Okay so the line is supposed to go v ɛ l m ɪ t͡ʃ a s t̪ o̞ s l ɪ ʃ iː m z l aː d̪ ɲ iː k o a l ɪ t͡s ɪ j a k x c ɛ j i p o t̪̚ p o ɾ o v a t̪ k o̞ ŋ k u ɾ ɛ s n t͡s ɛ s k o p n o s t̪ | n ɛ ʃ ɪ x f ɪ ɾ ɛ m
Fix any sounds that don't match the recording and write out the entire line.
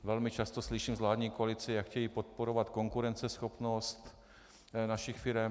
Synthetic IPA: v ɛ l m ɪ t͡ʃ a s t̪ o̞ s l ɪ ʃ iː m z l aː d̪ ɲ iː k o a l ɪ t͡s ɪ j a k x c ɛ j i p o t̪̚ p o ɾ o v a t̪ k o̞ ŋ k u ɾ ɛ n t͡s ɛ s x o p n o s t̪ | n a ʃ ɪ x f ɪ ɾ ɛ m